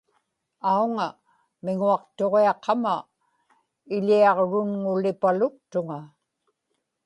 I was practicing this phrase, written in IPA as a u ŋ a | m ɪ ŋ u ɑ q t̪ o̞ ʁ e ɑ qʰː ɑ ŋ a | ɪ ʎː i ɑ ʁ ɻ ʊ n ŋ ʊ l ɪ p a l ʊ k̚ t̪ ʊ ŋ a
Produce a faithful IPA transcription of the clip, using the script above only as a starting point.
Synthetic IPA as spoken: a u ŋ a | m ɪ ŋ u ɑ q t̪ o̞ ʁ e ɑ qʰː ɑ m a | ɪ ʎ i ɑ ʁ ɻ ʊ n ŋ ʊ l ɪ p a l ʊ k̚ t̪ ʊ ŋ a